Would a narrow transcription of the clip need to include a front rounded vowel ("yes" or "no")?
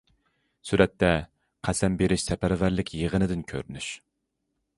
yes